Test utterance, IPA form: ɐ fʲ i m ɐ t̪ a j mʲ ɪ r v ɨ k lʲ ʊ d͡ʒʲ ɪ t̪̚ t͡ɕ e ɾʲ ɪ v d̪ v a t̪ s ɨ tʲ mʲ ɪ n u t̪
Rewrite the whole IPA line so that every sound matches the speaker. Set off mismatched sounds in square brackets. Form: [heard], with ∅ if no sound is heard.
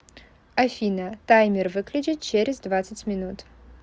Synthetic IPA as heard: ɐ fʲ i [n] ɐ t̪ a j mʲ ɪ r v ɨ k lʲ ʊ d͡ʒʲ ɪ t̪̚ t͡ɕ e ɾʲ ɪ [z] d̪ v a t̪ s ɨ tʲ mʲ ɪ n u t̪